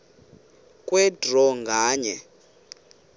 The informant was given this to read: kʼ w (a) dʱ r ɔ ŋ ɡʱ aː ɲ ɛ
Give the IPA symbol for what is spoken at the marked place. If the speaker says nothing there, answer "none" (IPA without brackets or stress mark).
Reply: ɛ